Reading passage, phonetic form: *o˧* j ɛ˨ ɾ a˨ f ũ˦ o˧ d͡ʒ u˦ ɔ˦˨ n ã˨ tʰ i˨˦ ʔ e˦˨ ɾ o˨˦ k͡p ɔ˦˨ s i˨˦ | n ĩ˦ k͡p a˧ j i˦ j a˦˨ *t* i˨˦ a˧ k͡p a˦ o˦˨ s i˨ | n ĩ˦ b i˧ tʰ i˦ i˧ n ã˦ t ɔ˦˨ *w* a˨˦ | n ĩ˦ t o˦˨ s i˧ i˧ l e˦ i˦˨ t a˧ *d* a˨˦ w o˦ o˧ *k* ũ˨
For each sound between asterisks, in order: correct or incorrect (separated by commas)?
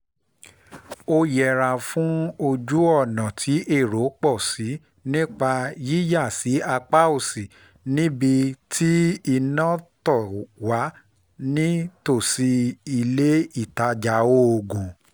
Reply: correct, incorrect, correct, incorrect, incorrect